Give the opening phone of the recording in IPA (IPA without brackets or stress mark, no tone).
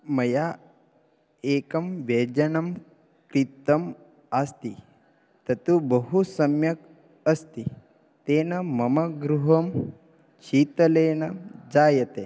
m